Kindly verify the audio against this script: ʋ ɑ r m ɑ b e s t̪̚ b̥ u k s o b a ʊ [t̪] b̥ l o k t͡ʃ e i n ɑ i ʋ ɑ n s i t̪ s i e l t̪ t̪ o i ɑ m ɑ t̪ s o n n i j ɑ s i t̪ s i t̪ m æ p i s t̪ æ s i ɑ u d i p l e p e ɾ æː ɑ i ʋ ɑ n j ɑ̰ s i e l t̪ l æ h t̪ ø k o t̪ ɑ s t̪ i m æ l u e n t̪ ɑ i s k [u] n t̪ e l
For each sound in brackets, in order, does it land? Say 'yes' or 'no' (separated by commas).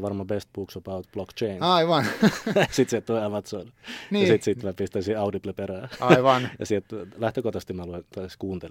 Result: yes, no